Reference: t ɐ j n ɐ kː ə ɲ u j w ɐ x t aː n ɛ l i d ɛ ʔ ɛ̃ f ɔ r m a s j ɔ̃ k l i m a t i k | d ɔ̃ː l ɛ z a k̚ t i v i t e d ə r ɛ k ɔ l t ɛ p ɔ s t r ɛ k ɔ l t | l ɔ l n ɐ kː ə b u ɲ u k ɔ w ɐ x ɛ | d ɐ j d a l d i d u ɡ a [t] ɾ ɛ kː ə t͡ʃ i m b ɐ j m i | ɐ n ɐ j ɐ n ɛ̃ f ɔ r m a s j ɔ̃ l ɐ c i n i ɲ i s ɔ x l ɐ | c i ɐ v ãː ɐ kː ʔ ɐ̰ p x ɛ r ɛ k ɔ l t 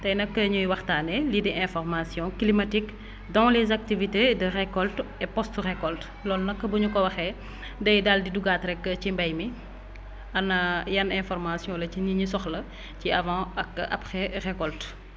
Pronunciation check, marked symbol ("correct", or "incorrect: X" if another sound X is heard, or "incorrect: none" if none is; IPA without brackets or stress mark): correct